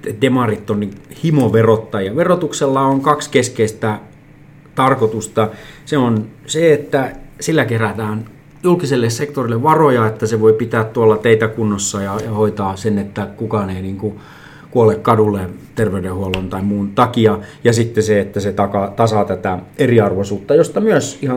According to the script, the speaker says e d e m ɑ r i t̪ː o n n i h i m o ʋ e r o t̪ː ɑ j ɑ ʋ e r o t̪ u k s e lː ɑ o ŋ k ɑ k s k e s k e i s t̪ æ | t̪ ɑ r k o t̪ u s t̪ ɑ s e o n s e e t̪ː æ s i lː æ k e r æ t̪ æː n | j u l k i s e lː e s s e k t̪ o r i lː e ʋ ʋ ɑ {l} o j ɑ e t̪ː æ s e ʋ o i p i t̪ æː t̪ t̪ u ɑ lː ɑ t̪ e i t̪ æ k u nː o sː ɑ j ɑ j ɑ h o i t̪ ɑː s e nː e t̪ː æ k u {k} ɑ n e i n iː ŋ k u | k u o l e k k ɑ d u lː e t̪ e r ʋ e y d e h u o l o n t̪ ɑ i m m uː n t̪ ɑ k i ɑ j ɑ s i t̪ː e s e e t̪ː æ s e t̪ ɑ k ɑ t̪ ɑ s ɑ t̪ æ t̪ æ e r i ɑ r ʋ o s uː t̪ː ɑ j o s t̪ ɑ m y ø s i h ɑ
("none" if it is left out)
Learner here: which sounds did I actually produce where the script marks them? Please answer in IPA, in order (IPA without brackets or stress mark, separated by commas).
r, k